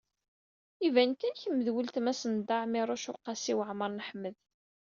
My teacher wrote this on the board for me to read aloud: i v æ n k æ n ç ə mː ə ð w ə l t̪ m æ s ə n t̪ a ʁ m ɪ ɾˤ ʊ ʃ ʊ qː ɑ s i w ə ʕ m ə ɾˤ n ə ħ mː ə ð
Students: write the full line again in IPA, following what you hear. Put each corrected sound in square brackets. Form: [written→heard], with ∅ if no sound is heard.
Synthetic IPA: i v æ n k æ n ç ə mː ə ð w ə l t̪ m æ s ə n [t̪→d̪] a [ʁ→ʕ] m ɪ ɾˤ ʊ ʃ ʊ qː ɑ s i w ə ʕ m ə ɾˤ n ə ħ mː ə ð